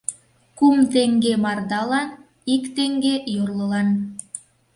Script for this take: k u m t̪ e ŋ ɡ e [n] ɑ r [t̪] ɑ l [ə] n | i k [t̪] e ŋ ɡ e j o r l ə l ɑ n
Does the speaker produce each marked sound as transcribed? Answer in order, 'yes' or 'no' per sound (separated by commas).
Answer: no, no, no, yes